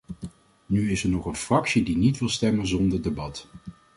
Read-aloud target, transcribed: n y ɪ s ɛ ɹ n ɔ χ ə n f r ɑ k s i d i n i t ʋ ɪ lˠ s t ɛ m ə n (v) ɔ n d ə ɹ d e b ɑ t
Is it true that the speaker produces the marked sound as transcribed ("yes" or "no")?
no